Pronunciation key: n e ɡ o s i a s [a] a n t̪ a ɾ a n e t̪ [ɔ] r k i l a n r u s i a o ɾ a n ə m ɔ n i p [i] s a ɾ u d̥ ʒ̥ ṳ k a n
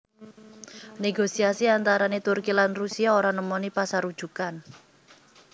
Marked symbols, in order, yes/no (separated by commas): no, no, no